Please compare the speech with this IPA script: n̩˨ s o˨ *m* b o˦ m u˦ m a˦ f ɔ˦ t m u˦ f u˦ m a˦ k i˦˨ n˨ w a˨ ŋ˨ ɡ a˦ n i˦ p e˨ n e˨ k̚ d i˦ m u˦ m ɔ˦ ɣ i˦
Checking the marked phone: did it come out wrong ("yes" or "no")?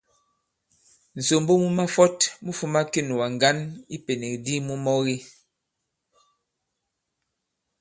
no